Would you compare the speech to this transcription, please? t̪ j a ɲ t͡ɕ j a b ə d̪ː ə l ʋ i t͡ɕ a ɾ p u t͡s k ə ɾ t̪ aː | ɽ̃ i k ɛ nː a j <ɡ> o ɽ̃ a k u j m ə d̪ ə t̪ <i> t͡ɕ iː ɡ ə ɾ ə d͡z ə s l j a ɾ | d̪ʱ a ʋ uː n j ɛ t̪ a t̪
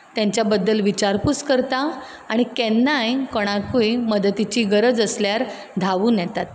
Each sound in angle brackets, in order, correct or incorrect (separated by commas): incorrect, correct